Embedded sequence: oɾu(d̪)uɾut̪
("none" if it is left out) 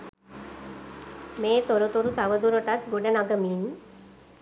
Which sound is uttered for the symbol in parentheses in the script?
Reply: t̪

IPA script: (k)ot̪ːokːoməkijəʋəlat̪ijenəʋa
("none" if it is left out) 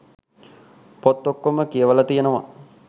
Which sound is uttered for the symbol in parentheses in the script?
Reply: p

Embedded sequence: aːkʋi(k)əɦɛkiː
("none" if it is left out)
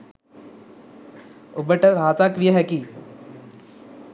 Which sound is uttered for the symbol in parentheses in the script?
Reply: none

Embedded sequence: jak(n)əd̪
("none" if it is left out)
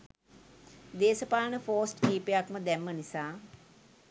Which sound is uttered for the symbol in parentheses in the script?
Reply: m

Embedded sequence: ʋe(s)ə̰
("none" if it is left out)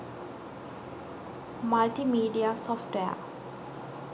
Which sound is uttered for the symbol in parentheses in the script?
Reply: none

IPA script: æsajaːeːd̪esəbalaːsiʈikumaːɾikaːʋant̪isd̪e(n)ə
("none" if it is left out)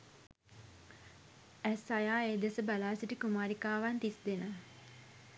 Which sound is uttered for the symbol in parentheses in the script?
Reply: n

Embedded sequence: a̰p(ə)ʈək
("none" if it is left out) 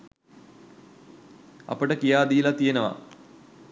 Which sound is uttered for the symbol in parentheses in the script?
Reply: ə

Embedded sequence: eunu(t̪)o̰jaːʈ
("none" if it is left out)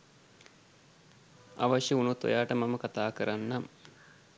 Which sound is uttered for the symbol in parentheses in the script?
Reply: t̪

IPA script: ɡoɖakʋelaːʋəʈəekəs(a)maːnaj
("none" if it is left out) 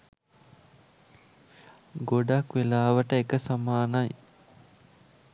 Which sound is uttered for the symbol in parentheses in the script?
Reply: a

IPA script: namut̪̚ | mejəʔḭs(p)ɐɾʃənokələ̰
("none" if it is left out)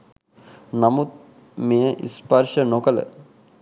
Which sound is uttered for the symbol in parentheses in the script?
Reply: p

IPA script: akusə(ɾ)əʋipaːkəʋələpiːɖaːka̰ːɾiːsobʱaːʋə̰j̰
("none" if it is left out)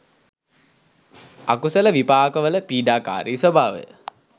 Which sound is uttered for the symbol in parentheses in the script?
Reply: l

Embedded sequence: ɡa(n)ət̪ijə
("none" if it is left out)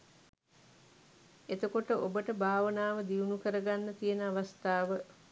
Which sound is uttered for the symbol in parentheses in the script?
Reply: nː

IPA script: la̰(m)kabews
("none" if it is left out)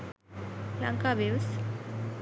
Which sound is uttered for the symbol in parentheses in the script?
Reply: ŋ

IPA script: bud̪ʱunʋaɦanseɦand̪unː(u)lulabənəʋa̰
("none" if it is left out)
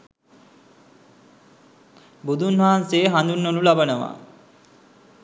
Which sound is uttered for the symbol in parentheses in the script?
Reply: o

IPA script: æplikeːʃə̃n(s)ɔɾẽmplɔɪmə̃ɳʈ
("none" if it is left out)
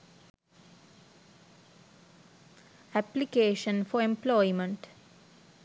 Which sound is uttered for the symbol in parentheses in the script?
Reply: f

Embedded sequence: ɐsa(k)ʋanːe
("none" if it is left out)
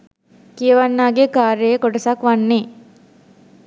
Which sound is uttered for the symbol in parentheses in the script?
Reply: k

